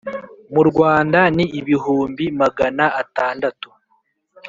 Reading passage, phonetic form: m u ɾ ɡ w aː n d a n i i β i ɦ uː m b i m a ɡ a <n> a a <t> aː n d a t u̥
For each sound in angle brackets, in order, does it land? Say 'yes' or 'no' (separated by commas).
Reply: yes, yes